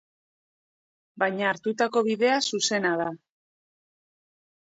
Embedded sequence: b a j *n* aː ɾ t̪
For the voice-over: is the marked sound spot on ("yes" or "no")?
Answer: no